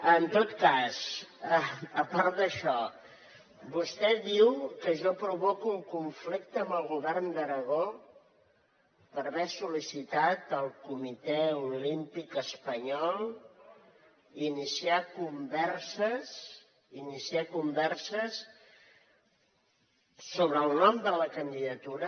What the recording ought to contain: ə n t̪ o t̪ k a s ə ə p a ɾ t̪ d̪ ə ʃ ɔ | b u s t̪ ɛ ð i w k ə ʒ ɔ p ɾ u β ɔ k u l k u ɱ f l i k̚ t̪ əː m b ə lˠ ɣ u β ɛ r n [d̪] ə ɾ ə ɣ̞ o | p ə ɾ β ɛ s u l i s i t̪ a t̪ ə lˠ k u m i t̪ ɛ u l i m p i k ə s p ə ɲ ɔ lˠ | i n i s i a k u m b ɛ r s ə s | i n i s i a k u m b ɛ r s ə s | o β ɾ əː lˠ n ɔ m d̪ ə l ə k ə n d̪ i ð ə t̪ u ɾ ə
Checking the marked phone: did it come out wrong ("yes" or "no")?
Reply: no